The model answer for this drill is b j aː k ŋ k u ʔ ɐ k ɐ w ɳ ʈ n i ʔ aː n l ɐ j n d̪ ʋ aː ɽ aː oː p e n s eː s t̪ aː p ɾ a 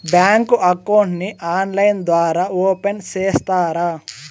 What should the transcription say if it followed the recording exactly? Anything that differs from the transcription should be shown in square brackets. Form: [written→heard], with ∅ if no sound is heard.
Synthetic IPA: b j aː [k→∅] ŋ k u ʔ ɐ k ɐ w ɳ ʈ n i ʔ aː n l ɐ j n d̪ ʋ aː [ɽ→ɾ] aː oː p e n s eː s t̪ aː [p→∅] ɾ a